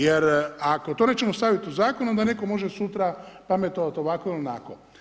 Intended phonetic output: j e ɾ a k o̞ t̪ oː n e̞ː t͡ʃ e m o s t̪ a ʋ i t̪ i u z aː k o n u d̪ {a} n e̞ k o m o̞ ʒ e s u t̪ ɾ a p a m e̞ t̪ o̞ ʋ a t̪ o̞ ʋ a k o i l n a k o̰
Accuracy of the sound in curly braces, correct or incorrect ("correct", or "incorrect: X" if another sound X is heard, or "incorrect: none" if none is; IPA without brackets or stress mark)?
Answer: correct